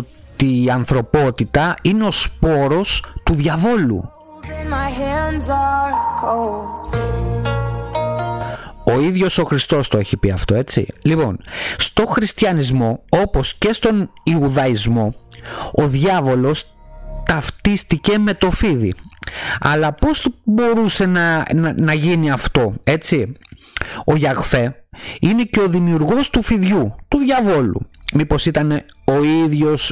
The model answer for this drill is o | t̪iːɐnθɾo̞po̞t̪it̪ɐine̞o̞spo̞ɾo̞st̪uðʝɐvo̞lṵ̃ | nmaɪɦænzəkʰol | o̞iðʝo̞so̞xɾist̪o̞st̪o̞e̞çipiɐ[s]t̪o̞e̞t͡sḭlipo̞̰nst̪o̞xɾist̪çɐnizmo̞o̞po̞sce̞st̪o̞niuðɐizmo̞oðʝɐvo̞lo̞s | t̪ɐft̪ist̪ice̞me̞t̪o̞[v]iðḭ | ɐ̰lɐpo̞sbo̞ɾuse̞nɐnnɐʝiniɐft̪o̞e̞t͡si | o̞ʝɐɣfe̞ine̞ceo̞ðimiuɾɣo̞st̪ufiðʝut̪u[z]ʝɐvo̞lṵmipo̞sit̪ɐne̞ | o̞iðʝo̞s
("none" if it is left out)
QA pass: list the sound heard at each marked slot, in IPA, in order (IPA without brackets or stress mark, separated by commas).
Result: f, f, ð